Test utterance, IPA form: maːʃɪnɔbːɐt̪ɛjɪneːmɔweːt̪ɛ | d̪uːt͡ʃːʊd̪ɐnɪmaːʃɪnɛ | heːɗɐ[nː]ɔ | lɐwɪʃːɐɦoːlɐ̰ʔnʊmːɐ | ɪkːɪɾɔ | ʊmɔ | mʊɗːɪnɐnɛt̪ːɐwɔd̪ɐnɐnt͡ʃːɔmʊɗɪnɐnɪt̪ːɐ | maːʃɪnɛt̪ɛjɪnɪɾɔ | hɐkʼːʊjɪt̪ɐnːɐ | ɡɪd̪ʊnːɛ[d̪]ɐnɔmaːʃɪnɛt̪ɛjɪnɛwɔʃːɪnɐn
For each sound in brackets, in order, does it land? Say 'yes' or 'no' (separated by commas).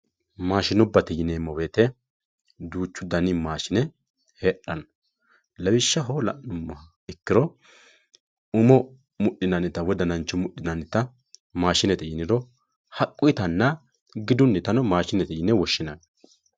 no, no